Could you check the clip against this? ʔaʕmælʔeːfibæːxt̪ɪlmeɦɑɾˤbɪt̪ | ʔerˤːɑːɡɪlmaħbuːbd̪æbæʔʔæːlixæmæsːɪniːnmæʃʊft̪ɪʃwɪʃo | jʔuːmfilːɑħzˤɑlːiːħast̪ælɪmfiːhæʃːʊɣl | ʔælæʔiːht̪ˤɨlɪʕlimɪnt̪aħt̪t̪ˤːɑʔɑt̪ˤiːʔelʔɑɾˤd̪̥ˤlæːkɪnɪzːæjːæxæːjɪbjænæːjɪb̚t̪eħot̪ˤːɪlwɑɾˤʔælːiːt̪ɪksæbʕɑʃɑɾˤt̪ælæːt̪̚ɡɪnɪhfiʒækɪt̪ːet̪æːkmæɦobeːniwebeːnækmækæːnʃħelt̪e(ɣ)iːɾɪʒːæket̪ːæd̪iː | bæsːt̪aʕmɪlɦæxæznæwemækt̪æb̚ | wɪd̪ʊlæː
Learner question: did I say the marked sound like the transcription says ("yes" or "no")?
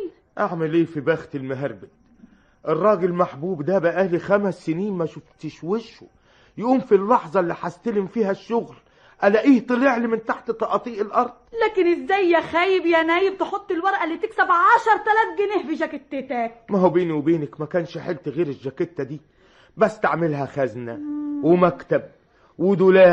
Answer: yes